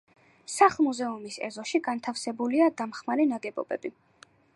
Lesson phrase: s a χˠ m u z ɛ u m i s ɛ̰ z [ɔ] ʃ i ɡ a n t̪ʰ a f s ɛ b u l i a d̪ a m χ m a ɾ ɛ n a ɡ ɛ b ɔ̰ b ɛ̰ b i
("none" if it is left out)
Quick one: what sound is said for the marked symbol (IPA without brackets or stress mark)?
ɔ